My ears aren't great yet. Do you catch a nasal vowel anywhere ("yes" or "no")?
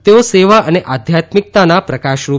no